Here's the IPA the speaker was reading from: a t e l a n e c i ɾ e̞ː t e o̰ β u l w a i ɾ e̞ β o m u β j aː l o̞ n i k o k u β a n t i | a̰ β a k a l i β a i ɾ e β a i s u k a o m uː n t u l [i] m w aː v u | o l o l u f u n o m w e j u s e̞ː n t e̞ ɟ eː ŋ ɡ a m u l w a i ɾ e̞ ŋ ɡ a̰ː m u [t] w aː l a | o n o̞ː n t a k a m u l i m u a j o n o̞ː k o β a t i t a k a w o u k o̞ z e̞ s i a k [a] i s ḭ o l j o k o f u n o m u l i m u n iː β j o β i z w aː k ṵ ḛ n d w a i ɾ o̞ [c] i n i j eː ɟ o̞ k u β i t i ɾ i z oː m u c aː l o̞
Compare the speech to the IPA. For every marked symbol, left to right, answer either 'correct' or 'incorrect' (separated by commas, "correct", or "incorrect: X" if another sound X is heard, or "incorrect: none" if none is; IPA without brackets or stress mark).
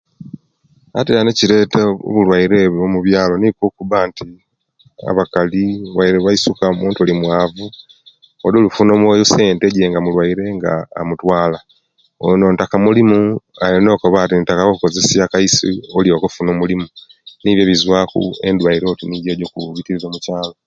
correct, correct, correct, incorrect: t